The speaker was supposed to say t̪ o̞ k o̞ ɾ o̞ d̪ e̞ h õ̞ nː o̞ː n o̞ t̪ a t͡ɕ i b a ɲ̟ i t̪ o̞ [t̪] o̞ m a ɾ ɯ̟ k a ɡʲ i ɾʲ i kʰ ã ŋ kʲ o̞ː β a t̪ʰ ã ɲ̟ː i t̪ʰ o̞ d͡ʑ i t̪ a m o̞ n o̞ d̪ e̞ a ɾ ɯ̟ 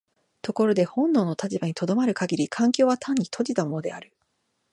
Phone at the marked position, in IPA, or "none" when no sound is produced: d̪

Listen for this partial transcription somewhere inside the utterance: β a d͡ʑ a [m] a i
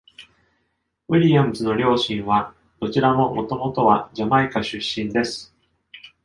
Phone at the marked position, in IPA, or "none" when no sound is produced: m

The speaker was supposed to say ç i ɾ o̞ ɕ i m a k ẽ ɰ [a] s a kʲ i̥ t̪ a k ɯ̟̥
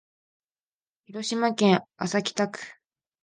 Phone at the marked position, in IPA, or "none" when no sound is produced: a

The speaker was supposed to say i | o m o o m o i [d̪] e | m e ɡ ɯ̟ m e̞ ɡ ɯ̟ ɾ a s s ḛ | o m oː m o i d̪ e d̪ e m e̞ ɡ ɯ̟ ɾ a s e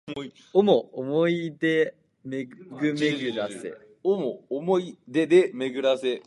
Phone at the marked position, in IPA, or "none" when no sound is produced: d̪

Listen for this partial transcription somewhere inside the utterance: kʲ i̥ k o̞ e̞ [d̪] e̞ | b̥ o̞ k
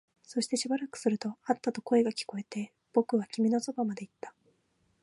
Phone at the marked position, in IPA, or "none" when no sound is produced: t̪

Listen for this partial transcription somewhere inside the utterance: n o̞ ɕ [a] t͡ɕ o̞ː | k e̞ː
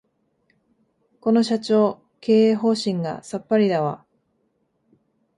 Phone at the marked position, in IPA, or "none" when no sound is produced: a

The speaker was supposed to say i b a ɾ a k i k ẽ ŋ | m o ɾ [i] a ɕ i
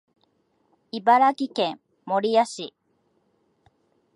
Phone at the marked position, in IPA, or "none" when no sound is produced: i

